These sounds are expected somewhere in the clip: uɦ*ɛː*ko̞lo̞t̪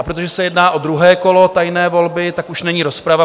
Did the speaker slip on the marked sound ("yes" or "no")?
no